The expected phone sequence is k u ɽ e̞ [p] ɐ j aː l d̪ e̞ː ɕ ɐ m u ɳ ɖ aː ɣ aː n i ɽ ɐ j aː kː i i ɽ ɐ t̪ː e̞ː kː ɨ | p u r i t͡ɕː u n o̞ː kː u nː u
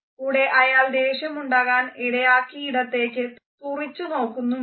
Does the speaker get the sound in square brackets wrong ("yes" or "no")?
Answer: yes